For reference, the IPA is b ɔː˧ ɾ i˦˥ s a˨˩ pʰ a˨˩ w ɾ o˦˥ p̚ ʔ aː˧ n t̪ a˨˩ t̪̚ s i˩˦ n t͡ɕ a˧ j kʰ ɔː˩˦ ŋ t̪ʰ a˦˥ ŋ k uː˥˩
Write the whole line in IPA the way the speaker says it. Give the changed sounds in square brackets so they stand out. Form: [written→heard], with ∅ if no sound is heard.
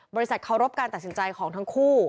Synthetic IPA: b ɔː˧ ɾ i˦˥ s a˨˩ [pʰ→kʰ] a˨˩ w ɾ o˦˥ p̚ [ʔ→k] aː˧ n t̪ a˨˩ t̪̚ s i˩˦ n t͡ɕ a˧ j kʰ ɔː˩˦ ŋ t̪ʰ a˦˥ ŋ [k→kʰ] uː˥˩